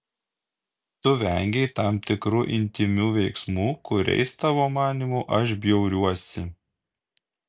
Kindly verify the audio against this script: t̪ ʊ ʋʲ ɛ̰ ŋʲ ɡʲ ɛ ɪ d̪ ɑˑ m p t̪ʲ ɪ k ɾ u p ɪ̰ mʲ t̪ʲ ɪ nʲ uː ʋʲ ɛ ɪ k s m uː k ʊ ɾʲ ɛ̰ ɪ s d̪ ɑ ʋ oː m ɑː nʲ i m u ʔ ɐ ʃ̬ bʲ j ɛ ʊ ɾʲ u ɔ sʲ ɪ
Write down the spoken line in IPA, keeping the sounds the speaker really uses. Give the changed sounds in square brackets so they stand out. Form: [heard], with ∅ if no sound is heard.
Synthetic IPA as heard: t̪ ʊ ʋʲ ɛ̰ ŋʲ ɡʲ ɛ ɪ [t̪] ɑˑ m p t̪ʲ ɪ k ɾ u [ʔ] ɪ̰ [nʲ] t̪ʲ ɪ [mʲ] uː ʋʲ ɛ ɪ k s m uː k ʊ ɾʲ ɛ̰ ɪ s [t̪] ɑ ʋ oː m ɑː nʲ i m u ʔ ɐ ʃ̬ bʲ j ɛ ʊ ɾʲ u ɔ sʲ ɪ